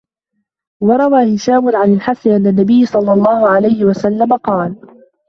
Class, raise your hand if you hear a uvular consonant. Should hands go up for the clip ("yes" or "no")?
yes